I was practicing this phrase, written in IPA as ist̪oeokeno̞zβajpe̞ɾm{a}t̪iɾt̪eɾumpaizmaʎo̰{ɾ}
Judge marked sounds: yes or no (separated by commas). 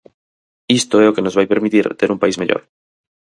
no, yes